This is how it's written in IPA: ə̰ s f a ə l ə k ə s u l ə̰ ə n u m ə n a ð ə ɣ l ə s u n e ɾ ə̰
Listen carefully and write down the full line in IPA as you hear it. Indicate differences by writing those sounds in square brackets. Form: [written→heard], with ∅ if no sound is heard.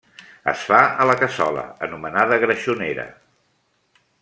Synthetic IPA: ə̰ s f a ə l ə k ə s [u→ɔ] l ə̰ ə n u m ə n a ð ə ɣ [l→ɾ] ə [s→ʃ] u n e ɾ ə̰